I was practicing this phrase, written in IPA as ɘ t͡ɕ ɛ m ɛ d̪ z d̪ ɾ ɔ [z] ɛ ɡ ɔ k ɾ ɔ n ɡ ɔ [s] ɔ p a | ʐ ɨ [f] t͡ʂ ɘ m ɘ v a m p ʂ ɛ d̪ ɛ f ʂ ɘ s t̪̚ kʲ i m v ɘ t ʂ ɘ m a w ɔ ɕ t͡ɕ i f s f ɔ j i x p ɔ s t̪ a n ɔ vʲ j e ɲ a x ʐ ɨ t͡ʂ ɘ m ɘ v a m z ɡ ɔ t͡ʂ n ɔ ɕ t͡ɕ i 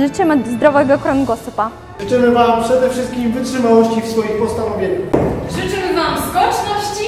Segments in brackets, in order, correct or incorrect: incorrect: v, correct, incorrect: none

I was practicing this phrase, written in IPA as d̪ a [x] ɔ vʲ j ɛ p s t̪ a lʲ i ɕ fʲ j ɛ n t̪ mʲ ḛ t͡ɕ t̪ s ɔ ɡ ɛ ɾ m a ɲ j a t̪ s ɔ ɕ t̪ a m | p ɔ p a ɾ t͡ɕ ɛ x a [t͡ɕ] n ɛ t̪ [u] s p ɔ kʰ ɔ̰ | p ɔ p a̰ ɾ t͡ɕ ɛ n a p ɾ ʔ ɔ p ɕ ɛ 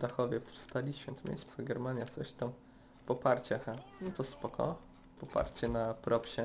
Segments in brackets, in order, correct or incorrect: correct, incorrect: none, incorrect: ɔ

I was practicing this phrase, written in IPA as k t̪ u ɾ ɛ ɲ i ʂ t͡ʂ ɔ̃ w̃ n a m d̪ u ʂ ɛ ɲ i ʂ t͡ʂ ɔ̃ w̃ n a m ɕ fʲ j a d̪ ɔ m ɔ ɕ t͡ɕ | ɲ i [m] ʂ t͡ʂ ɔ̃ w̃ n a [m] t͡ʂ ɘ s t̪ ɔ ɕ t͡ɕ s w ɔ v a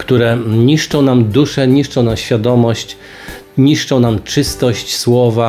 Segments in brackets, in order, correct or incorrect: incorrect: none, correct

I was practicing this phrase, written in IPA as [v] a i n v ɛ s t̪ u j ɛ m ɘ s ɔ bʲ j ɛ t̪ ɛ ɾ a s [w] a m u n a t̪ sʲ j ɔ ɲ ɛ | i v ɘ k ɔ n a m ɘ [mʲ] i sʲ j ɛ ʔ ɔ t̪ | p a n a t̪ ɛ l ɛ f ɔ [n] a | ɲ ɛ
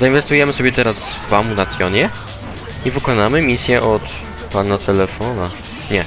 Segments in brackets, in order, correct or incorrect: incorrect: z, incorrect: v, correct, correct

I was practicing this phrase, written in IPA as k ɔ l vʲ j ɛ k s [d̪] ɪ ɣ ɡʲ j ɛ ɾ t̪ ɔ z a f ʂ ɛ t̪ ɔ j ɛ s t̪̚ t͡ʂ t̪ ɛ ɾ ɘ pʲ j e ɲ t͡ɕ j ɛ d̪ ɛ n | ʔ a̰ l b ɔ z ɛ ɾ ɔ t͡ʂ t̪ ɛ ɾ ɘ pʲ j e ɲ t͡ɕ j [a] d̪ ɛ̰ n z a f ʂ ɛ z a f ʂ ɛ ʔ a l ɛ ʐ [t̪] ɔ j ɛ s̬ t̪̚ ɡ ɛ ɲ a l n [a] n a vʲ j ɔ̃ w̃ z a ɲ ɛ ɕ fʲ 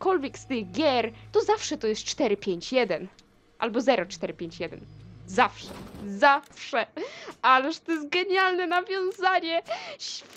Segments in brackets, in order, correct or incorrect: incorrect: t̪, incorrect: ɛ, correct, incorrect: ɛ

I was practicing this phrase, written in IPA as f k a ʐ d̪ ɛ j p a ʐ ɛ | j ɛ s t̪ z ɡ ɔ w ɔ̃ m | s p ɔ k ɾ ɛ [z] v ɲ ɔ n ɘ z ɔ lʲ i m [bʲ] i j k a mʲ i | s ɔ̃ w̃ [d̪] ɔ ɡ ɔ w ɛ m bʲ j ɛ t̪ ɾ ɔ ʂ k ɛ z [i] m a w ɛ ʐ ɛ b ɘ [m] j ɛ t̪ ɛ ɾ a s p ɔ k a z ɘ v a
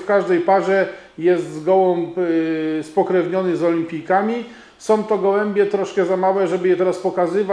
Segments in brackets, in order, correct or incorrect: incorrect: none, incorrect: pʲ, incorrect: t̪, incorrect: a, incorrect: none

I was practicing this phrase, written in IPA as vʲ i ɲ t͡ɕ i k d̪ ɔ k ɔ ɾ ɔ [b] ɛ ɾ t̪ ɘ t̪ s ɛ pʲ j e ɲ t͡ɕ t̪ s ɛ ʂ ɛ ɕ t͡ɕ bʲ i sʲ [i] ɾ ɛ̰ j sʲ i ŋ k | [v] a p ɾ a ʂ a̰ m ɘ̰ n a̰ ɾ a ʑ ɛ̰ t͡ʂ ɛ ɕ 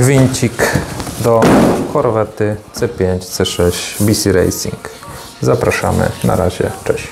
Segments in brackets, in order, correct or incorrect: incorrect: v, correct, incorrect: z

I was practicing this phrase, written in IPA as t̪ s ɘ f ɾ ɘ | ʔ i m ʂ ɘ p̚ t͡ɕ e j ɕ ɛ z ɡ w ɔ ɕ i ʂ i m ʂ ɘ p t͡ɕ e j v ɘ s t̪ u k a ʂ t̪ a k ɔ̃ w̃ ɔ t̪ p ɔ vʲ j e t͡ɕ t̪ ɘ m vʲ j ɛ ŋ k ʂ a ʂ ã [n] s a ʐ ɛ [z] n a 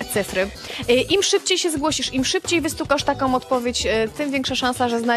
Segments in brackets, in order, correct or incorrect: correct, correct

